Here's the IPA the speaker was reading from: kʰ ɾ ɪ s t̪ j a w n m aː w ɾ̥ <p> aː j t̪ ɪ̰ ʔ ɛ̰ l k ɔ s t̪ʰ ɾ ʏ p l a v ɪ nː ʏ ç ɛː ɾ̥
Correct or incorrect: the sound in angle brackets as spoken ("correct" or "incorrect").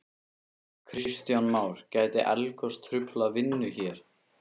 incorrect